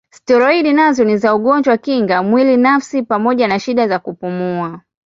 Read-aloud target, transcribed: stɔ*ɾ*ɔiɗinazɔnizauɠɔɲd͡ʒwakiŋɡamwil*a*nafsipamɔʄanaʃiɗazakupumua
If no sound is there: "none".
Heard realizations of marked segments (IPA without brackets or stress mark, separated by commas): ɾ, i